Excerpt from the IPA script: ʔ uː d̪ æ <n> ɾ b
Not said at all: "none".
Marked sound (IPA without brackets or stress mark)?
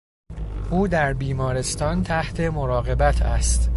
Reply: none